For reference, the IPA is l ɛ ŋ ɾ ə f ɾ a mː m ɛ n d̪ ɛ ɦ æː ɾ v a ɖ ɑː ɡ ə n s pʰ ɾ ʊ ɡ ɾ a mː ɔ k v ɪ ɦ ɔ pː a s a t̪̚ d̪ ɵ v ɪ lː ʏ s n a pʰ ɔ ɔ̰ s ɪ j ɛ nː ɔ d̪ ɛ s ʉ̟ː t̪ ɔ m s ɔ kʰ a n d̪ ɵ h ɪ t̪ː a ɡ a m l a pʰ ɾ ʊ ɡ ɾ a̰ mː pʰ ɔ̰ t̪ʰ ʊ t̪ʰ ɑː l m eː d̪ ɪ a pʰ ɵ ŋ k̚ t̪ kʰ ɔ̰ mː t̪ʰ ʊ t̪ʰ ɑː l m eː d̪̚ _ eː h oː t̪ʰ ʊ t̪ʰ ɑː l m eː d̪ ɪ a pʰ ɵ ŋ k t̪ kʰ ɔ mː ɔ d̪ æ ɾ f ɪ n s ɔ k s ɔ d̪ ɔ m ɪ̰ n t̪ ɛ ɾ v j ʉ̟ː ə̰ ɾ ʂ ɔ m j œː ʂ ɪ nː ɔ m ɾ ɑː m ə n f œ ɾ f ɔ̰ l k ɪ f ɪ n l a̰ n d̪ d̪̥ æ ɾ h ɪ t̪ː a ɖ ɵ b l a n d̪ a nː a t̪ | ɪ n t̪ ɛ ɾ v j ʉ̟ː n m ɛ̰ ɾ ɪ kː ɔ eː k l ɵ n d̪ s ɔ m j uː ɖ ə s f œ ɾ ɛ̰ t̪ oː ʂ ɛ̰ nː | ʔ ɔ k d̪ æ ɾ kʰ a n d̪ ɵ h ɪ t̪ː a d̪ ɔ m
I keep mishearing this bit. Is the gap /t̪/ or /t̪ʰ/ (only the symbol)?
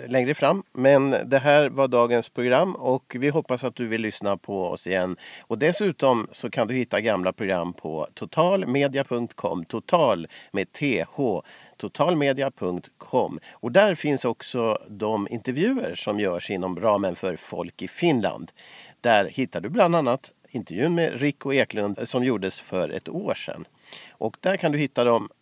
t̪ʰ